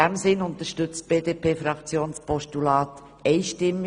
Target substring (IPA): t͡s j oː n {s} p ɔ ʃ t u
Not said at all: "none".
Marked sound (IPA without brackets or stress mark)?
s